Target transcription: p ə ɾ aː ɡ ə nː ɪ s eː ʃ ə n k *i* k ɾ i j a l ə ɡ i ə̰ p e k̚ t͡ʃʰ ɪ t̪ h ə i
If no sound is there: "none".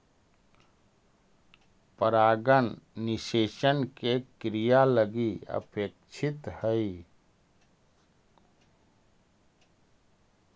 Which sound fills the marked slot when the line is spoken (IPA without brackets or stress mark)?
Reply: e